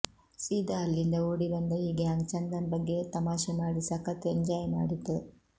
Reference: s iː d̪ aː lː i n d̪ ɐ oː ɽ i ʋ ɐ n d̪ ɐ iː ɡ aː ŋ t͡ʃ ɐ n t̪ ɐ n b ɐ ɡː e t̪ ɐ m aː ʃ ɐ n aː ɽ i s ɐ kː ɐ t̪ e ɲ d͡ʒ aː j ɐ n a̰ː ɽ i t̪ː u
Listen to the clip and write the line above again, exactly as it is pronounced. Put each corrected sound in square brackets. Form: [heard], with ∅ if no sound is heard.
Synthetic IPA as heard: s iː d̪ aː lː i n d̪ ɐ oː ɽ i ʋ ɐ n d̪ ɐ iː ɡ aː ŋ t͡ʃ ɐ n [d̪] ɐ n b ɐ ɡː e t̪ ɐ m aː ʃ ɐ n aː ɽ i s ɐ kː ɐ t̪ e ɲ d͡ʒ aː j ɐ n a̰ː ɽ i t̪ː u

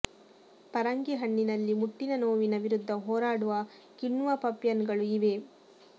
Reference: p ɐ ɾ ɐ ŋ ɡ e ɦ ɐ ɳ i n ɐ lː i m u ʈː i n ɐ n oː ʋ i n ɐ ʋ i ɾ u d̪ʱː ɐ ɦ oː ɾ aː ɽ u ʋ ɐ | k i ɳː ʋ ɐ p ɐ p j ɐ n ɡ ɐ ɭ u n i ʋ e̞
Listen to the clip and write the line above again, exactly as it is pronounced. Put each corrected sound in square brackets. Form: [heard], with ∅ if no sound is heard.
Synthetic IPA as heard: p ɐ ɾ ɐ ŋ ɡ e ɦ ɐ [ɳː] i n ɐ lː i m u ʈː i n ɐ n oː ʋ i n ɐ ʋ i ɾ u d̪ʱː ɐ ɦ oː ɾ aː ɽ u ʋ ɐ | k i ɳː ʋ ɐ p ɐ p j ɐ n ɡ ɐ ɭ u [∅] i ʋ e̞

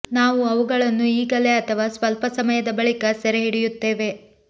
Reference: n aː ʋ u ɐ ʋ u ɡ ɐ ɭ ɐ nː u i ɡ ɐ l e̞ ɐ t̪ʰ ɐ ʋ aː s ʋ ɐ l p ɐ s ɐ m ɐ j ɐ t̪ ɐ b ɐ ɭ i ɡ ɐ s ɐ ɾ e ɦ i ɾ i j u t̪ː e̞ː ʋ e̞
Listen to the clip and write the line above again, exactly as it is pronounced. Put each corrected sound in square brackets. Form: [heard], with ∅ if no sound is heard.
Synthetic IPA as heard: n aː ʋ u ɐ ʋ u ɡ ɐ ɭ ɐ nː u [iː] ɡ ɐ l e̞ ɐ t̪ʰ ɐ ʋ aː s ʋ ɐ l p ɐ s ɐ m ɐ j ɐ [d̪] ɐ b ɐ ɭ i [k] ɐ s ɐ ɾ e ɦ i [ɽ] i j u t̪ː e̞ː ʋ e̞

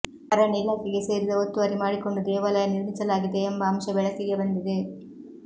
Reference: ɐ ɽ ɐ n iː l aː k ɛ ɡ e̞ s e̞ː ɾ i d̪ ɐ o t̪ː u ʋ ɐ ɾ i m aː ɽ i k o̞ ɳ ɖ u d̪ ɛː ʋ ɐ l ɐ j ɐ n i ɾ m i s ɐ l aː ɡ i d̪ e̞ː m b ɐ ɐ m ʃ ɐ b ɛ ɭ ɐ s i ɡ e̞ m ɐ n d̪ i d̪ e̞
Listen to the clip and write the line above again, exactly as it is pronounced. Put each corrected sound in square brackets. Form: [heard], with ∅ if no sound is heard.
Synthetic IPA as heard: ɐ [ɾ] ɐ n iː l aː k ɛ ɡ e̞ s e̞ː ɾ i d̪ ɐ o t̪ː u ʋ ɐ ɾ i m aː ɽ i k o̞ ɳ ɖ u d̪ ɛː ʋ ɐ l ɐ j ɐ n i ɾ m i s ɐ l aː ɡ i d̪ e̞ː m b ɐ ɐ m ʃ ɐ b ɛ ɭ ɐ s i ɡ e̞ [b] ɐ n d̪ i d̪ e̞

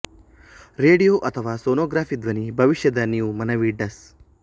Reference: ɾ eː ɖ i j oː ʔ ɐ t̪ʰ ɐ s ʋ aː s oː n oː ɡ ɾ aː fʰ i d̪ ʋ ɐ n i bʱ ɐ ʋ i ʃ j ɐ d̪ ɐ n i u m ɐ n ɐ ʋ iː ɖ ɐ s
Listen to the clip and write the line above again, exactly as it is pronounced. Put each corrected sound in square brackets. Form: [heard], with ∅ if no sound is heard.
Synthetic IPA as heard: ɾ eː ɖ i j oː ʔ ɐ t̪ʰ ɐ [∅] ʋ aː s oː n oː ɡ ɾ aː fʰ i d̪ ʋ ɐ n i bʱ ɐ ʋ i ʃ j ɐ d̪ ɐ n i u m ɐ n ɐ ʋ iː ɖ ɐ s

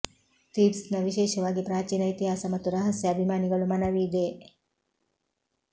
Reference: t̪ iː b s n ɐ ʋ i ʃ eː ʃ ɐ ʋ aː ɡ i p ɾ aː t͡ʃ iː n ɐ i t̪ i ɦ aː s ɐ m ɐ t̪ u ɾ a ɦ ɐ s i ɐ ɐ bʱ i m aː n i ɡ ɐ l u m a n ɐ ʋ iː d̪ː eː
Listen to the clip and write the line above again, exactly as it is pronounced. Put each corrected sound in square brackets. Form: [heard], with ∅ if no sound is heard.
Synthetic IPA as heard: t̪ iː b s n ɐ ʋ i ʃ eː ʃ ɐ ʋ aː ɡ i p ɾ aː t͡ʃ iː n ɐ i t̪ i ɦ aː s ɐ m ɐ t̪ u ɾ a ɦ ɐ s [j] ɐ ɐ bʱ i m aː n i ɡ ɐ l u m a n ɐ ʋ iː [d̪] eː

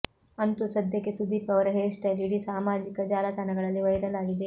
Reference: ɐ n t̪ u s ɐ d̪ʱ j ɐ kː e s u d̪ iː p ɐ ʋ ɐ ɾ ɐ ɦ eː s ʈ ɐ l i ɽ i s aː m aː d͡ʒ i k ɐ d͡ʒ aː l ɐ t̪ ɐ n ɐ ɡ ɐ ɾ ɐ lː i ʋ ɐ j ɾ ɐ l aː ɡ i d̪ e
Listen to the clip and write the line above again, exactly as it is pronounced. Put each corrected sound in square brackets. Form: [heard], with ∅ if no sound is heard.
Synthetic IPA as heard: ɐ n t̪ u s ɐ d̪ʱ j ɐ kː e s u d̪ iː p ɐ ʋ ɐ ɾ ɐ ɦ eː [ʂ] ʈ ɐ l i ɽ i s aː m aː d͡ʒ i k ɐ d͡ʒ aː l ɐ t̪ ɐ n ɐ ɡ ɐ [ɭ] ɐ lː i ʋ ɐ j ɾ ɐ l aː ɡ i d̪ e

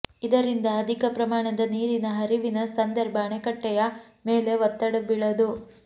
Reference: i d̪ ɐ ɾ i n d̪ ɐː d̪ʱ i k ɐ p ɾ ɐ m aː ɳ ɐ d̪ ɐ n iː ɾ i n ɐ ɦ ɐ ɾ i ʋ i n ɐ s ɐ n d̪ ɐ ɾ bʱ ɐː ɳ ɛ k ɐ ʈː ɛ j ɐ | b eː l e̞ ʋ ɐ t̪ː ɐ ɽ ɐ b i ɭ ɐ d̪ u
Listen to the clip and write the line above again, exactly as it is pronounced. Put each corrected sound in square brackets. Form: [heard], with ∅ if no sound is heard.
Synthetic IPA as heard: i d̪ ɐ ɾ i n d̪ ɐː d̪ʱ i k ɐ p ɾ ɐ m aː ɳ ɐ d̪ ɐ n iː ɾ i n ɐ ɦ ɐ ɾ i ʋ i n ɐ s ɐ n d̪ ɐ ɾ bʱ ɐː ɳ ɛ k ɐ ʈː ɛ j ɐ | [m] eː l e̞ ʋ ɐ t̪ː ɐ ɽ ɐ b i ɭ ɐ d̪ u

